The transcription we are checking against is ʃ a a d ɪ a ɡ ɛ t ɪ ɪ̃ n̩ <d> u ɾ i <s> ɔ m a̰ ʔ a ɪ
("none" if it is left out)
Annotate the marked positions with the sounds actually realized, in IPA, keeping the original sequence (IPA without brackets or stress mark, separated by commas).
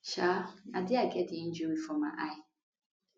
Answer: d͡ʒ, f